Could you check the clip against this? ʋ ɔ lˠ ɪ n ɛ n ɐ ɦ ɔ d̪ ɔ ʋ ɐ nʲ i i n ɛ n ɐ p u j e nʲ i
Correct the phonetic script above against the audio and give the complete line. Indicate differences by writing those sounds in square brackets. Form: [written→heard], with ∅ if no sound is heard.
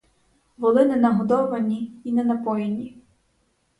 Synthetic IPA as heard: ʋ ɔ lˠ ɪ n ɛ n ɐ ɦ ɔ d̪ ɔ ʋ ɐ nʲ i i n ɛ n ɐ p [u→ɔ] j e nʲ i